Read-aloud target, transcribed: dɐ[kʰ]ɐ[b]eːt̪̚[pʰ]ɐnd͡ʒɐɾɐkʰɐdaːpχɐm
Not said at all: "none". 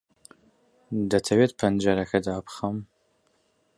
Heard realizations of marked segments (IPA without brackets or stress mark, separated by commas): tʰ, w, pʰ